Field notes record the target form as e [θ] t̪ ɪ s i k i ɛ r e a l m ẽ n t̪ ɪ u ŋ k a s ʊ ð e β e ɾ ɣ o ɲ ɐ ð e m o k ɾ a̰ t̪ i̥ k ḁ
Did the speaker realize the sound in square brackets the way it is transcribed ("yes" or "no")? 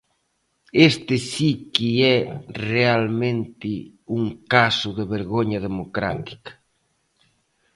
no